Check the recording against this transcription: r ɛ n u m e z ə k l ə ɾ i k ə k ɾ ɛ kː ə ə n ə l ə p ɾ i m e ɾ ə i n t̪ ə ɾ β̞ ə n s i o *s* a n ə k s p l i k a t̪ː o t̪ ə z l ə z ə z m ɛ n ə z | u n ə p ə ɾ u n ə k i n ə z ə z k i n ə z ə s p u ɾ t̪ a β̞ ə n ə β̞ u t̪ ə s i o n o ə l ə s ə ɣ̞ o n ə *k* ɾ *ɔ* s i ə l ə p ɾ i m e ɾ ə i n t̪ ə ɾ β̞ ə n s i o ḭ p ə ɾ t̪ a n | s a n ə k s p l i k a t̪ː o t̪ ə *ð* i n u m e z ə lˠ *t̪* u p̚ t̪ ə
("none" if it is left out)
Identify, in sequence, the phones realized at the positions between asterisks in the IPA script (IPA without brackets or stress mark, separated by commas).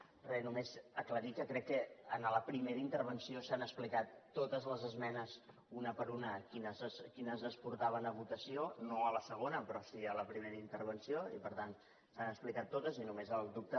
s, p, ɔ, z, d̪